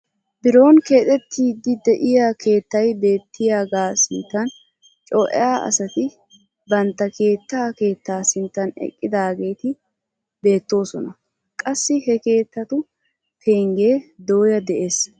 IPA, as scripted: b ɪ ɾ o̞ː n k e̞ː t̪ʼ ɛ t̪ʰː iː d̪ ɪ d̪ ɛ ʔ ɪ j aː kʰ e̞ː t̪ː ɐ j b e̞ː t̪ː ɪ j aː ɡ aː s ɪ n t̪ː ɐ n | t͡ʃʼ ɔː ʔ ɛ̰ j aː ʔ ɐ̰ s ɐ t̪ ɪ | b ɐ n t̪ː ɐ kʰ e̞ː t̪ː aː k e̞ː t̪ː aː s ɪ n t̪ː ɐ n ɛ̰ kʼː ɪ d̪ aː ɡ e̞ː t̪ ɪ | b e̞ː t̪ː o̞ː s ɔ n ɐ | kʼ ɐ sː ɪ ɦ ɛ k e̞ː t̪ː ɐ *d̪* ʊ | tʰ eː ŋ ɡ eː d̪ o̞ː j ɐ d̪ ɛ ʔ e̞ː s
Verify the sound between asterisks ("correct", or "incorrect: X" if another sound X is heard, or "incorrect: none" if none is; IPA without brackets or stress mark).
incorrect: t̪